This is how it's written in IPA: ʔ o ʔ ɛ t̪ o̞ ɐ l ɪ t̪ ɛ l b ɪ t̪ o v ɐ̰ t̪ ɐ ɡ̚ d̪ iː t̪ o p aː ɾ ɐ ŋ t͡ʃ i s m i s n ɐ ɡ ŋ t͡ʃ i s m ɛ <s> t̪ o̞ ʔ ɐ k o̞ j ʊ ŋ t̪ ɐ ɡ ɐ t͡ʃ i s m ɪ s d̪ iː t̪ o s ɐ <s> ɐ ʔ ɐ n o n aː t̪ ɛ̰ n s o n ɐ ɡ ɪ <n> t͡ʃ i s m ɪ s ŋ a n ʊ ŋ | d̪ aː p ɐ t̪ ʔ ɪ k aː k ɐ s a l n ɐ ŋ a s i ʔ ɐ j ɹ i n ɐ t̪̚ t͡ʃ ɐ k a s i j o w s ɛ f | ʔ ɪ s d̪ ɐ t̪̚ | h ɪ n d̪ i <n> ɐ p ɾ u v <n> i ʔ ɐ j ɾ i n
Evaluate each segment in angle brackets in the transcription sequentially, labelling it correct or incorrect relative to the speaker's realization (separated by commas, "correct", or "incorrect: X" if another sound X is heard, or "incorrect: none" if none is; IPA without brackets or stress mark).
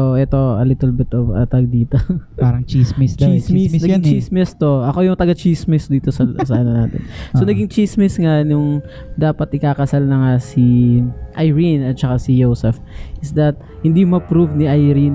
correct, correct, incorrect: ŋ, incorrect: m, correct